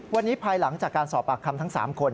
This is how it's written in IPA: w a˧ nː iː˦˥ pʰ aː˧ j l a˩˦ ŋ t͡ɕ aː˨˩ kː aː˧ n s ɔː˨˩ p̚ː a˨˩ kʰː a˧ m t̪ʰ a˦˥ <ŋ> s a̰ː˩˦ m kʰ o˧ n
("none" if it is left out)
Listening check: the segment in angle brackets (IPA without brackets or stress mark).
ŋ